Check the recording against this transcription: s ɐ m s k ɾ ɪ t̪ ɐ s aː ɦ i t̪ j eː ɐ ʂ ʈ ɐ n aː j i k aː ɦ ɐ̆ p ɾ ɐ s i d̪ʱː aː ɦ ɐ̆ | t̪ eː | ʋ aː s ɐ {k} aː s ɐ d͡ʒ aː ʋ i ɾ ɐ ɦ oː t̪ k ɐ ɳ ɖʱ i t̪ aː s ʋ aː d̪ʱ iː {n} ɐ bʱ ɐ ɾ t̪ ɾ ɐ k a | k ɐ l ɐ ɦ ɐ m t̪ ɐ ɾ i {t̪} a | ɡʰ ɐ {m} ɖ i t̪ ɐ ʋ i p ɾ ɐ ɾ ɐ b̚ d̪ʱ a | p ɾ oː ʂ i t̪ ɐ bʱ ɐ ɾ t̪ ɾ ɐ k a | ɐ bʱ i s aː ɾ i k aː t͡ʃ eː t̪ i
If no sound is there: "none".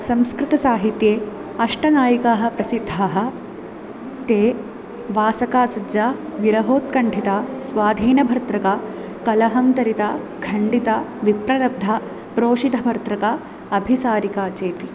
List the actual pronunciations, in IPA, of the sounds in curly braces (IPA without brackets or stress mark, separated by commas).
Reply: k, n, t̪, ɳ